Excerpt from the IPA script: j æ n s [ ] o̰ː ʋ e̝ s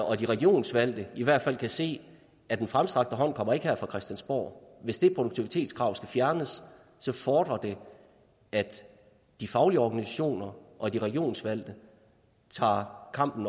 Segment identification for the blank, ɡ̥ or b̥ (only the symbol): b̥